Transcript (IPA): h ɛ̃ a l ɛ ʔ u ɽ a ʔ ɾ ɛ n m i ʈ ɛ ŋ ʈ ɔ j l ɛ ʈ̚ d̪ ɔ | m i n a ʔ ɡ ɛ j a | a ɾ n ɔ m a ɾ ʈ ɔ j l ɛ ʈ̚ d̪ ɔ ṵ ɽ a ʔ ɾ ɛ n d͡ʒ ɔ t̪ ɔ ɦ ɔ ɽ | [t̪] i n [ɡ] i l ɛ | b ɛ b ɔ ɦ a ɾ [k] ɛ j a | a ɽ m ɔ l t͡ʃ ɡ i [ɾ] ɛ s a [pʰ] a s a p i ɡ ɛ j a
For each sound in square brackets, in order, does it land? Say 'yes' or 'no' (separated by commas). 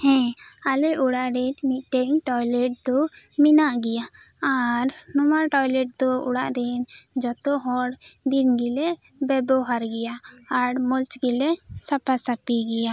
no, yes, no, no, no